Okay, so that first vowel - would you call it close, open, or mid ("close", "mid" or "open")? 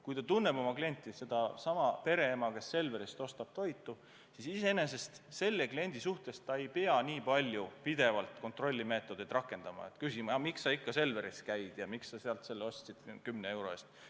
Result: close